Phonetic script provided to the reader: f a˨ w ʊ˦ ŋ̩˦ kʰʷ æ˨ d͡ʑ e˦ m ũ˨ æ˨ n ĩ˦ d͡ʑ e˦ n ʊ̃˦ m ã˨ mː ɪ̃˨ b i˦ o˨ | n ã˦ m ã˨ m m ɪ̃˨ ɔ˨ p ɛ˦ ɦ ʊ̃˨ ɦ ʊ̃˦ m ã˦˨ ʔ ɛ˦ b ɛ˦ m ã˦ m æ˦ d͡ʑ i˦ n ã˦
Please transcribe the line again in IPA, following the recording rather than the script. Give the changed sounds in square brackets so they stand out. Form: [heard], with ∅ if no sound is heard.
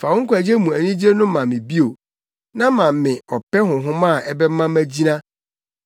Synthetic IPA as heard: f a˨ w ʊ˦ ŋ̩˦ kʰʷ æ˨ d͡ʑ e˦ m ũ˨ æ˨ n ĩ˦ d͡ʑ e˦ n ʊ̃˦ m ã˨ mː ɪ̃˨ b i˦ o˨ | n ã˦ m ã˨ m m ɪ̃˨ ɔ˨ p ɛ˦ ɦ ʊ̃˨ ɦ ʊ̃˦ m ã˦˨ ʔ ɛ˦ b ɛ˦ m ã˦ m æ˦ d͡ʑ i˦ n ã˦

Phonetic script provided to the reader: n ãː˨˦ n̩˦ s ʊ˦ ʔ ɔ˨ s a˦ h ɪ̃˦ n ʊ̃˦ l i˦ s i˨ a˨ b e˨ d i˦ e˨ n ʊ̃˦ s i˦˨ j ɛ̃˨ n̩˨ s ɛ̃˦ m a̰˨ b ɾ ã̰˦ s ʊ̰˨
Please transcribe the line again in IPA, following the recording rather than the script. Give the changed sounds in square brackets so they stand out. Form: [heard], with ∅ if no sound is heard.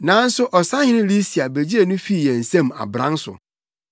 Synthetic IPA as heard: n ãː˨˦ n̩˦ s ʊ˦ ʔ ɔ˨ s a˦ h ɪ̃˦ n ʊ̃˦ l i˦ s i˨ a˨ b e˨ [d͡ʑ] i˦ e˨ n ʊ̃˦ [f] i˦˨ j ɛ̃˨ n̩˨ s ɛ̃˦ m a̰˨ b ɾ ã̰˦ s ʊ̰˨

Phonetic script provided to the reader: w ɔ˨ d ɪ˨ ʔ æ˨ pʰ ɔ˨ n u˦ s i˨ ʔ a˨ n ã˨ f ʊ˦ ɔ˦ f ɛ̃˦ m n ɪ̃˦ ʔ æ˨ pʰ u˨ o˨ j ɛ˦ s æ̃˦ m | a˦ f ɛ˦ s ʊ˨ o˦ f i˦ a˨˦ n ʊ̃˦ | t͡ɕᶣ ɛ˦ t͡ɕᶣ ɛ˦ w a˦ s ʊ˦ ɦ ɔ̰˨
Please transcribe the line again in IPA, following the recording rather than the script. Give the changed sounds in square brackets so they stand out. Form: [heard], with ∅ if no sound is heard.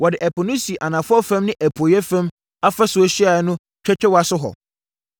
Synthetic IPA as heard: w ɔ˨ d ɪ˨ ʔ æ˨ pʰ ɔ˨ n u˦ s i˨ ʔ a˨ n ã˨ f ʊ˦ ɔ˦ f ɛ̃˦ m n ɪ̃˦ ʔ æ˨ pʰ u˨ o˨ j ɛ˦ [f] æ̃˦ m | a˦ f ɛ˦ s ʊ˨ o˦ [ɕ] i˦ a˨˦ n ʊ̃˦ | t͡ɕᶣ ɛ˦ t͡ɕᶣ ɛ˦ w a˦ s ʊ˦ ɦ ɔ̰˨

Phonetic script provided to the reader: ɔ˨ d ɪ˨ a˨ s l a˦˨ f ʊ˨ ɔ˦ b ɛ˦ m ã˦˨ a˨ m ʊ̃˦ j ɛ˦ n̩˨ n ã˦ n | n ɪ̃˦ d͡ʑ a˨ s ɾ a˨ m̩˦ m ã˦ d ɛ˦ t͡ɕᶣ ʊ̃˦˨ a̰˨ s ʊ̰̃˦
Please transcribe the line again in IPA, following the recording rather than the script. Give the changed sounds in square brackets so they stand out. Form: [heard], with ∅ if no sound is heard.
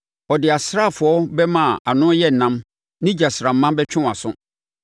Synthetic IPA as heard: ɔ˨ d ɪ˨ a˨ s [ɾ] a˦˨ f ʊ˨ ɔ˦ b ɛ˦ m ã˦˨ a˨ [n] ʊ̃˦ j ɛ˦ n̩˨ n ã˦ [m] | n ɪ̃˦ d͡ʑ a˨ s ɾ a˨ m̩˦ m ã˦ [b] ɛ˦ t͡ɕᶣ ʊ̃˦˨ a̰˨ s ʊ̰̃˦

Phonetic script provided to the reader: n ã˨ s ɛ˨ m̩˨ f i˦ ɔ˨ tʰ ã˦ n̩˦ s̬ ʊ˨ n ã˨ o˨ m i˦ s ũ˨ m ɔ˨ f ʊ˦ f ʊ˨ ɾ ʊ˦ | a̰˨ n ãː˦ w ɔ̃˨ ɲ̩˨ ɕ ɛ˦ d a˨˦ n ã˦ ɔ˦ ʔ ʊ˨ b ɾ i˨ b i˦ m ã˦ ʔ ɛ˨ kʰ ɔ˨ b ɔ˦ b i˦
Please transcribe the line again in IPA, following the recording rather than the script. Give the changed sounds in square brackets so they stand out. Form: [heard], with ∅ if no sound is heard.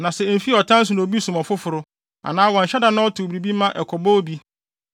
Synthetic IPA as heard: n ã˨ s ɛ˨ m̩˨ f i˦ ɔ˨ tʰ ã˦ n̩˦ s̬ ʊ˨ n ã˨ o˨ [b] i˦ s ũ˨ m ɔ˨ f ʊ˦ f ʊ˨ ɾ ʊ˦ | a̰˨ n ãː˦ w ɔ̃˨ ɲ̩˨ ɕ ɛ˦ d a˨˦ n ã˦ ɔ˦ [t] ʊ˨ b ɾ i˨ b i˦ m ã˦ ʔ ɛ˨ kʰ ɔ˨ b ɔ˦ b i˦

